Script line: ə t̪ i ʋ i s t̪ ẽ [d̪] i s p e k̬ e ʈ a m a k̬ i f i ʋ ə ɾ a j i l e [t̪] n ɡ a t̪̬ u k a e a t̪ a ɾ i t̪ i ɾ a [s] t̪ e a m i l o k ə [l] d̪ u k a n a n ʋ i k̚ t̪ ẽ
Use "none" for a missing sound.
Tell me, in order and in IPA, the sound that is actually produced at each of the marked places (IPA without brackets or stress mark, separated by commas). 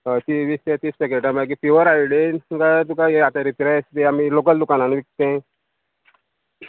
t̪, none, s, l